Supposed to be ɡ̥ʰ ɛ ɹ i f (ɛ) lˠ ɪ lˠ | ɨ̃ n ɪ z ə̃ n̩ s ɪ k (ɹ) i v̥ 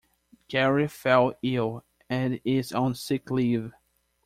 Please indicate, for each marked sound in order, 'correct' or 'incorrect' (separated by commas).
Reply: correct, incorrect